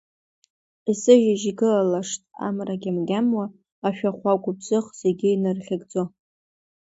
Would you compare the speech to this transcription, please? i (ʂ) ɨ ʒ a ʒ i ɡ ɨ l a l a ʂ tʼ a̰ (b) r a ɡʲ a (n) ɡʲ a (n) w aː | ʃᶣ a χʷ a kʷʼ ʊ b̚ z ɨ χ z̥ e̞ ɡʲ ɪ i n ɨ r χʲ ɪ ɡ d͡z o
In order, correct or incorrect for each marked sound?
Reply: incorrect, incorrect, incorrect, incorrect

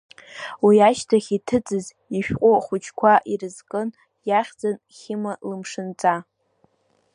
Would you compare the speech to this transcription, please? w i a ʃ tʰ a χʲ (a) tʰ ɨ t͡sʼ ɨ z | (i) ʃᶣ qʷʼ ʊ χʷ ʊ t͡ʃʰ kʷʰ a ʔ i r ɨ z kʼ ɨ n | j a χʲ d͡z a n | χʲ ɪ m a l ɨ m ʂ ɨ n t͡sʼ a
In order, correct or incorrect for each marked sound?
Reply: incorrect, correct

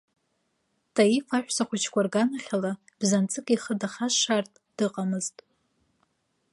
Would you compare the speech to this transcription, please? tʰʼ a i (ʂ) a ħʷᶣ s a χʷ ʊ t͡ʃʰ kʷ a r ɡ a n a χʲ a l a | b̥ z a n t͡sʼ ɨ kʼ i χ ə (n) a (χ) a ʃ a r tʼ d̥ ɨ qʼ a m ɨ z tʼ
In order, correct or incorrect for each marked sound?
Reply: incorrect, incorrect, correct

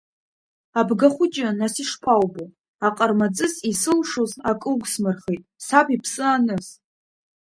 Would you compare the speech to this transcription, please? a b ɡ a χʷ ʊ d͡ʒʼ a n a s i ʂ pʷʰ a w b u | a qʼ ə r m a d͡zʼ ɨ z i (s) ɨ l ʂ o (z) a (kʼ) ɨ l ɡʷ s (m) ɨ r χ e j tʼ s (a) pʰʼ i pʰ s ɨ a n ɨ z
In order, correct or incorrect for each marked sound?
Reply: correct, correct, correct, correct, correct

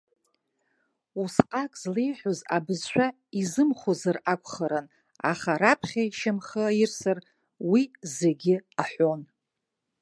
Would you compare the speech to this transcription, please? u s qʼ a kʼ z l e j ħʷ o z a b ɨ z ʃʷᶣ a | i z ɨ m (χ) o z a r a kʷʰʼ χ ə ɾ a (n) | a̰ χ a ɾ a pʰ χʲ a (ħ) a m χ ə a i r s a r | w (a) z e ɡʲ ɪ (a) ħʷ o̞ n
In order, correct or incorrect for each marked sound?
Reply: correct, correct, incorrect, incorrect, correct

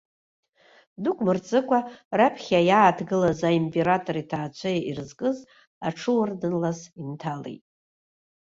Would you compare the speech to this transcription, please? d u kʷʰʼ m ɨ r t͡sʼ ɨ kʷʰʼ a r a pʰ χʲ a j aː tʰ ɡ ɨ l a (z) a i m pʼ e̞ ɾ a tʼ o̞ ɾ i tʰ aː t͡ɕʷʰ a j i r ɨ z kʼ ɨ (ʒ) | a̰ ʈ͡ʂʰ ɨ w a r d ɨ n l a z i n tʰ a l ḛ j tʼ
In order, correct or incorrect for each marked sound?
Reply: correct, incorrect

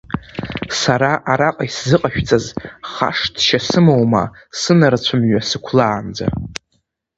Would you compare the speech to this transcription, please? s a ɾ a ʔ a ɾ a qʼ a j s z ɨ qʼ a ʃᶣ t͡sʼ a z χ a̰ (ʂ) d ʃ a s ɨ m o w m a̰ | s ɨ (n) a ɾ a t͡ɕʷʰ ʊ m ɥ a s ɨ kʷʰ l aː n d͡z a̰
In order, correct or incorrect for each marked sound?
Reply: correct, correct

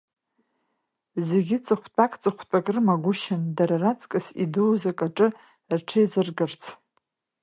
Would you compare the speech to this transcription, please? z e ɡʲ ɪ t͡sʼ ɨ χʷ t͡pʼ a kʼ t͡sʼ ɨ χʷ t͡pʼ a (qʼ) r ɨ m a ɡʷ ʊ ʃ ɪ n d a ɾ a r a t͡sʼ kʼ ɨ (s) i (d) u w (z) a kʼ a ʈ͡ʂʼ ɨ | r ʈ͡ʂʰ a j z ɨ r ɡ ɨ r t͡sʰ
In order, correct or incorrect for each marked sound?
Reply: incorrect, correct, correct, correct

